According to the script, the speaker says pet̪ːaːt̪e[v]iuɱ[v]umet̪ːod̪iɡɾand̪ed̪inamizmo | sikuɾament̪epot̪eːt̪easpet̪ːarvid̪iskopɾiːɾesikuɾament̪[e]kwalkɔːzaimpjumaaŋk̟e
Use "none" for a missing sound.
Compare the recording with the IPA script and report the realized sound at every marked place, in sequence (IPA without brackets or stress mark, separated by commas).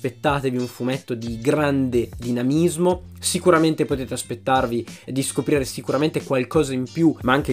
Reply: v, f, e